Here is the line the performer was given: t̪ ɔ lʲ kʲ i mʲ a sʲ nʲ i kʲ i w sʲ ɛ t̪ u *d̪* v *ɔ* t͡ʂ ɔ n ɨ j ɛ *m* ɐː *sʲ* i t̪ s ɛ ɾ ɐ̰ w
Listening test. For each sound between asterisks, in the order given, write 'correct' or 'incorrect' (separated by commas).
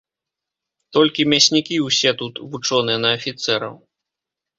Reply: incorrect, incorrect, incorrect, incorrect